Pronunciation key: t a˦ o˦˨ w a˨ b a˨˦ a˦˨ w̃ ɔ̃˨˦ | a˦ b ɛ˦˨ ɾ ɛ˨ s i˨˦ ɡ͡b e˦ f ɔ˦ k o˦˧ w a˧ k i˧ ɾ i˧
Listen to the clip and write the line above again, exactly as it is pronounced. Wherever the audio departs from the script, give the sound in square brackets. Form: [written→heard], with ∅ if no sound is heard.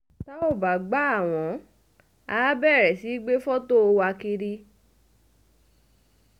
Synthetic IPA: t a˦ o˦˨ [w→b] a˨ [b→ɡ͡b] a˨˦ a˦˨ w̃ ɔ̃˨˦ | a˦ b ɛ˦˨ ɾ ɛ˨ s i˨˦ ɡ͡b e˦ f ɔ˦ [k→t] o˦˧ w a˧ k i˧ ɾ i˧

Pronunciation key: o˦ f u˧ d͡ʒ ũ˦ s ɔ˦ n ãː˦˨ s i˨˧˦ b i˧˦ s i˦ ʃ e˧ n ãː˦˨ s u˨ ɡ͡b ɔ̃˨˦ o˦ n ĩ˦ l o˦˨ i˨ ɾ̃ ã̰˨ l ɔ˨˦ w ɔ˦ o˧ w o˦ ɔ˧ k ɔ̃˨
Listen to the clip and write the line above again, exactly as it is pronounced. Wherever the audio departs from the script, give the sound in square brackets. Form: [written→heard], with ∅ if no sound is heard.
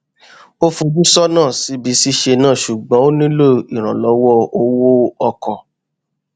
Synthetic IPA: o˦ f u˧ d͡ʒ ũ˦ s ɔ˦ n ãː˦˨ s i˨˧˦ b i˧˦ s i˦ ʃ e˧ n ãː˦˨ [s→ʃ] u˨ ɡ͡b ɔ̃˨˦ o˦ n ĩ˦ l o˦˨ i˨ ɾ̃ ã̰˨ l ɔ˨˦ w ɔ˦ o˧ w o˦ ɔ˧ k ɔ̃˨

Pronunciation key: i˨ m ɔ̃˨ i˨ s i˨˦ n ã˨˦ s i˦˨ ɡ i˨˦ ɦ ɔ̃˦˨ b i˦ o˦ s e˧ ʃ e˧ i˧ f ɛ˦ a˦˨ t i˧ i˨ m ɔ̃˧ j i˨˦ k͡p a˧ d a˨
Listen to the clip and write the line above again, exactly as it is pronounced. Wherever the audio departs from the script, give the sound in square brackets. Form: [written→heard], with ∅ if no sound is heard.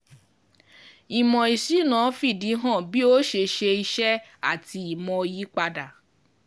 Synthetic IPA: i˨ m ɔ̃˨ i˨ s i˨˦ n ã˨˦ [s→f] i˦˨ [ɡ→d] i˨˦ ɦ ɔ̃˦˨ b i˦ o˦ [s→ʃ] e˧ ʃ e˧ i˧ [f→ʃ] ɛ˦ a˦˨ t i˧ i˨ m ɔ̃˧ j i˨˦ k͡p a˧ d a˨

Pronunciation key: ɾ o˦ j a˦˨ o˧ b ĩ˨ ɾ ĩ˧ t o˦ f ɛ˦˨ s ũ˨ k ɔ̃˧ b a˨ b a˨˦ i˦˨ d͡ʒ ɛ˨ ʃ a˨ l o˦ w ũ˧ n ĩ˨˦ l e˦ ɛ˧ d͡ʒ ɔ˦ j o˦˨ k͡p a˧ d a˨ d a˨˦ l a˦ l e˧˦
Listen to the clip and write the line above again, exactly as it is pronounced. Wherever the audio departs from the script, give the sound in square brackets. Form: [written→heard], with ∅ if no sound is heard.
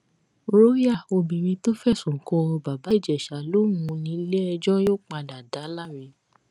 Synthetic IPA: ɾ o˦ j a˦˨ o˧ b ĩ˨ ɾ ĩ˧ t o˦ f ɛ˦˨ s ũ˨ k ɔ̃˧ b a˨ b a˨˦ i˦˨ d͡ʒ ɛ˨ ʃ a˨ l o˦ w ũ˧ n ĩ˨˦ l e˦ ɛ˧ d͡ʒ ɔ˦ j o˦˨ k͡p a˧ d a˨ d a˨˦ l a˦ [l→ɾ] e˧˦

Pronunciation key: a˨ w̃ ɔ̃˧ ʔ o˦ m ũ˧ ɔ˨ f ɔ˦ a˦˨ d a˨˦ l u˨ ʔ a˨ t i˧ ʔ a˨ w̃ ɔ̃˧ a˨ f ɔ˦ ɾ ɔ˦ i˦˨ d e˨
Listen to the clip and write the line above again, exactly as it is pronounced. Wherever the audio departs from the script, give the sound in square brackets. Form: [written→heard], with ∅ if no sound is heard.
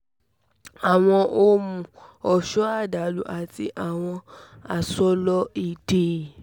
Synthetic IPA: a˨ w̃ ɔ̃˧ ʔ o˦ m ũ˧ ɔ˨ [f→ʃ] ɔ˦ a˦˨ d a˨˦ l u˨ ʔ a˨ t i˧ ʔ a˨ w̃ ɔ̃˧ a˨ [f→s] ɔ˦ [ɾ→l] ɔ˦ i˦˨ d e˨

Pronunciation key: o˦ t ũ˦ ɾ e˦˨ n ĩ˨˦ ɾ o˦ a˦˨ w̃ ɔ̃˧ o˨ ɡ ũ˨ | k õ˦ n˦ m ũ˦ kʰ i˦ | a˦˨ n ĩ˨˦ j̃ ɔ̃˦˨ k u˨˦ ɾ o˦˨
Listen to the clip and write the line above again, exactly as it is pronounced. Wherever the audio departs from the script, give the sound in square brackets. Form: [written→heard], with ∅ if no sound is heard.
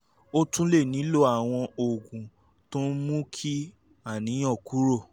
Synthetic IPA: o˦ t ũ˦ [ɾ→l] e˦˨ n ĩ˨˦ [ɾ→l] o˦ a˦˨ w̃ ɔ̃˧ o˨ ɡ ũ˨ | [k→t] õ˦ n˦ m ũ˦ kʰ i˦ | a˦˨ n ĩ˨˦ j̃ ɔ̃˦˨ k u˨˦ ɾ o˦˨

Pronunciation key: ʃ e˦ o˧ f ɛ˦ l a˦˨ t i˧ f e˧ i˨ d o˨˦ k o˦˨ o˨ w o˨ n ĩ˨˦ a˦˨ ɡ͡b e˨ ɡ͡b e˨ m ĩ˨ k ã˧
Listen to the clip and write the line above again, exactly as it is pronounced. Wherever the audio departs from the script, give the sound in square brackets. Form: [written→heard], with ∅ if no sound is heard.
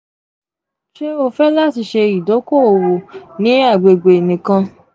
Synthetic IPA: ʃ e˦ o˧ f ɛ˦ l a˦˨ t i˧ [f→ʃ] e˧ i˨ d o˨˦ k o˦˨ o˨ w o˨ n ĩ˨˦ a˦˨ ɡ͡b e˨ ɡ͡b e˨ [m→n] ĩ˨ k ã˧

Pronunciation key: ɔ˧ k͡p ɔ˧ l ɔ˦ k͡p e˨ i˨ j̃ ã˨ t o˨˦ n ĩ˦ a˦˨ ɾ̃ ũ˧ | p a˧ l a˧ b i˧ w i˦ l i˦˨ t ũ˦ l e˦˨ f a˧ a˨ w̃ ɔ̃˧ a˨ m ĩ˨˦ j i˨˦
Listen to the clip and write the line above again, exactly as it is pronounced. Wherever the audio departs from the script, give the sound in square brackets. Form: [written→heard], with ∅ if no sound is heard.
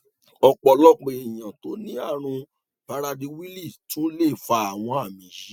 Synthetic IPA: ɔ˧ k͡p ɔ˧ l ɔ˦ k͡p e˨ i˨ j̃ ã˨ t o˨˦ n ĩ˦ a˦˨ ɾ̃ ũ˧ | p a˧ [l→ɾ] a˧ [b→d] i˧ w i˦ l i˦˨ t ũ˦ l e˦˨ f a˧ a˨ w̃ ɔ̃˧ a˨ m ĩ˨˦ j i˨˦

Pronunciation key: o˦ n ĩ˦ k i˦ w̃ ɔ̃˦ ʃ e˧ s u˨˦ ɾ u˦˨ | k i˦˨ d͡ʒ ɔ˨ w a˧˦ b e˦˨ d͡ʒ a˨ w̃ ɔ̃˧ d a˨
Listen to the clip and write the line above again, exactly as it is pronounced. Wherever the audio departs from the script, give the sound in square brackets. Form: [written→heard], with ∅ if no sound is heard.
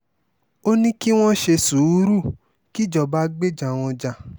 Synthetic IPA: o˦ n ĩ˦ k i˦ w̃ ɔ̃˦ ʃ e˧ s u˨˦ ɾ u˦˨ | k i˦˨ d͡ʒ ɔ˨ [w→b] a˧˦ [b→ɡ͡b] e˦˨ d͡ʒ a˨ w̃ ɔ̃˧ [d→d͡ʒ] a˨

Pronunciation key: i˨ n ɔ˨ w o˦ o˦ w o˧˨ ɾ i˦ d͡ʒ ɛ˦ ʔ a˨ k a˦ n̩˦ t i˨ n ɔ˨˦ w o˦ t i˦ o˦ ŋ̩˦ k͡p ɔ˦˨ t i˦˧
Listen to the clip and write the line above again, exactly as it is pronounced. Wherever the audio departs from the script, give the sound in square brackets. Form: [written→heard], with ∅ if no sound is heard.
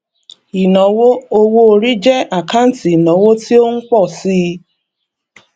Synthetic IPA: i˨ n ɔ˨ w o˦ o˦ w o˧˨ ɾ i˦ d͡ʒ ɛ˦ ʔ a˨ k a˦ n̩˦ t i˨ n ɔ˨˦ w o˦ t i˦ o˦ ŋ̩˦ k͡p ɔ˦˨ [t→s] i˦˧

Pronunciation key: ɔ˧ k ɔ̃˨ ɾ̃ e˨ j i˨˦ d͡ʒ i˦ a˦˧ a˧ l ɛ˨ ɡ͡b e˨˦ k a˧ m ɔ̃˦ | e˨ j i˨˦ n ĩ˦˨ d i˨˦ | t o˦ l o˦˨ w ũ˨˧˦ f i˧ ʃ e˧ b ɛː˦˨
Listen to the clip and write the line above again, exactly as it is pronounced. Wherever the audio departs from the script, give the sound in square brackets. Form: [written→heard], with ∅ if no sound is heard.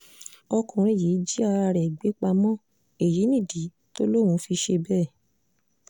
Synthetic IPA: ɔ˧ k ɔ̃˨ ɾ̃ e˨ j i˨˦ d͡ʒ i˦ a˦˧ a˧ [l→ɾ] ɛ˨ ɡ͡b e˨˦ [k→k͡p] a˧ m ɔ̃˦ | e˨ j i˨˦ n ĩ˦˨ d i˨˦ | t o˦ l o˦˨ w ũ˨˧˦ f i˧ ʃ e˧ b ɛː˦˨

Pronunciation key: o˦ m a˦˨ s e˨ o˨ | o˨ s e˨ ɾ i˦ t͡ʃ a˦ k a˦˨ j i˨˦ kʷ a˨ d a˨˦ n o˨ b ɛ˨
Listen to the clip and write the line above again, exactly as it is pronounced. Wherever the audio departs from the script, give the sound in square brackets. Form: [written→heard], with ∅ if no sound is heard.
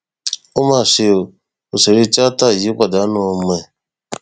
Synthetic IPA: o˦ m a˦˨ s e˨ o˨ | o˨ s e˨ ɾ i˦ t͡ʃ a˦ [k→t] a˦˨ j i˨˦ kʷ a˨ d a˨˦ n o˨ [b→m] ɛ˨

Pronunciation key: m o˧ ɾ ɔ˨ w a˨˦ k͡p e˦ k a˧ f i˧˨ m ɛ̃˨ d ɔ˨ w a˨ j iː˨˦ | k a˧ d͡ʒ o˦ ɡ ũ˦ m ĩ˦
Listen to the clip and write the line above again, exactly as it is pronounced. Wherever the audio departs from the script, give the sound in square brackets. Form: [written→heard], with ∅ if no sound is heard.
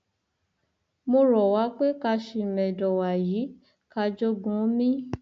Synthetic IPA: m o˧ ɾ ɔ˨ w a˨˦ k͡p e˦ k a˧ [f→ʃ] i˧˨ m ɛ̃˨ d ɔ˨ w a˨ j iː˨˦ | k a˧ d͡ʒ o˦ ɡ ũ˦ m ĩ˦

